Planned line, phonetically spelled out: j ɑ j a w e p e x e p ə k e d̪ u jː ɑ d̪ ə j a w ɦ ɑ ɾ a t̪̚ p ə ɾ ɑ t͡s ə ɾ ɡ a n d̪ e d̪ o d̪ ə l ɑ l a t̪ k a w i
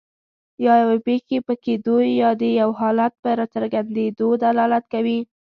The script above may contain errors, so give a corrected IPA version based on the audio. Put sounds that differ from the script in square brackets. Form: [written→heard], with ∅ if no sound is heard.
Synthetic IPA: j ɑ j a w e p e x e p ə k e d̪ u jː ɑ d̪ ə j a w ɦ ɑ [ɾ→l] a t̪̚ p ə ɾ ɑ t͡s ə ɾ ɡ a n d̪ e d̪ o d̪ [ə→a] l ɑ l a t̪ k a w i